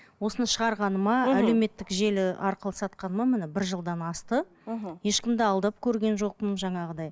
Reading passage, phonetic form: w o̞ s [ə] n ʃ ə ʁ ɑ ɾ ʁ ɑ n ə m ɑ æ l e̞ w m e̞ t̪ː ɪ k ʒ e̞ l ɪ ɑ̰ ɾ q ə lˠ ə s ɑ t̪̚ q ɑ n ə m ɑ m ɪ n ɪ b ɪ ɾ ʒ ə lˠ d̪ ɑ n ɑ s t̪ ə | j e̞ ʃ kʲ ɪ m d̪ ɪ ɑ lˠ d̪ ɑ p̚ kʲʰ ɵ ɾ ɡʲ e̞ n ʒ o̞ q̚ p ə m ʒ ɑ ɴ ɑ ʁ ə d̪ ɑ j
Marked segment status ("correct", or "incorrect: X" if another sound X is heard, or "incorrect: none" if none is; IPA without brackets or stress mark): correct